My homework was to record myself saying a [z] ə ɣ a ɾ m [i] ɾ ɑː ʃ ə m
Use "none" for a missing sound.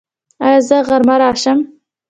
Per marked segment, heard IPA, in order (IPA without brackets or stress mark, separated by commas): z, a